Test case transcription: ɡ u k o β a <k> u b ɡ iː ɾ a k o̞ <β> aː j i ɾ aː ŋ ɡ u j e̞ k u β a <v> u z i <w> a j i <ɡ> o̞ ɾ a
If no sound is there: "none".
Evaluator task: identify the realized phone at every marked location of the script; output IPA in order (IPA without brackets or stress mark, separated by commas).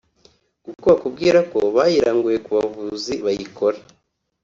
k, β, v, β, k